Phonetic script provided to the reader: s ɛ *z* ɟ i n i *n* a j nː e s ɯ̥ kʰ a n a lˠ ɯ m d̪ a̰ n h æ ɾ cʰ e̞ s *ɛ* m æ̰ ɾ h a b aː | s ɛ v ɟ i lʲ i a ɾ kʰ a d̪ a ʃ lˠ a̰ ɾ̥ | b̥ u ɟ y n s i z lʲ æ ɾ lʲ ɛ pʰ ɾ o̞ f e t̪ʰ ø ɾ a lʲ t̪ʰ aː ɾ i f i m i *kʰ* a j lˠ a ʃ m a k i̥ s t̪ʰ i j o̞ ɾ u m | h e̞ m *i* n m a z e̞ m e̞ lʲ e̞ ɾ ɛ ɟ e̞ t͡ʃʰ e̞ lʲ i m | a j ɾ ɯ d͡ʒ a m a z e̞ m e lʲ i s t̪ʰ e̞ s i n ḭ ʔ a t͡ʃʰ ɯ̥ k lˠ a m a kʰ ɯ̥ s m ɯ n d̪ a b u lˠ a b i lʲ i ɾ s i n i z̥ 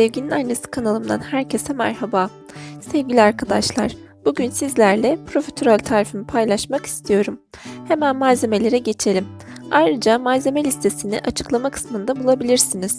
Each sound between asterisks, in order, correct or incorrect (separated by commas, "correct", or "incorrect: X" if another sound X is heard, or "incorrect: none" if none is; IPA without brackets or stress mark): incorrect: v, correct, correct, incorrect: pʰ, incorrect: æ